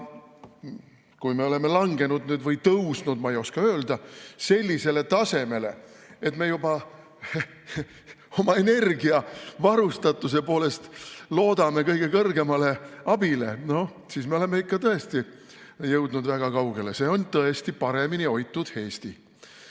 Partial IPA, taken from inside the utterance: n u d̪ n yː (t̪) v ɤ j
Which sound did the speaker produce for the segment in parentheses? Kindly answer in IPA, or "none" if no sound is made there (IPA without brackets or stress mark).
d̪